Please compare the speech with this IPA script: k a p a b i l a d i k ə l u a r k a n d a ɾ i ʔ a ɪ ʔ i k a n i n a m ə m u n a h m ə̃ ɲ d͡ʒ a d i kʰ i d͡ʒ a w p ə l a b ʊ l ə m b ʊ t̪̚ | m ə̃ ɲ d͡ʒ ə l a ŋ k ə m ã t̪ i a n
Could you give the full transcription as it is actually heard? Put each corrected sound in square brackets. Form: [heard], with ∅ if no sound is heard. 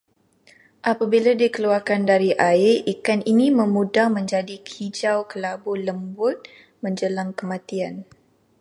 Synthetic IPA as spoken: [ʔ] a p a b i l a d i k ə l u a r k a n d a ɾ i ʔ a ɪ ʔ i k a n i n [i] m ə m u [d] a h m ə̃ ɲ d͡ʒ a d i kʰ i d͡ʒ a w [k] ə l a b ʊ l ə m b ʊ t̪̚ | m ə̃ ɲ d͡ʒ ə l a ŋ k ə m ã t̪ i a n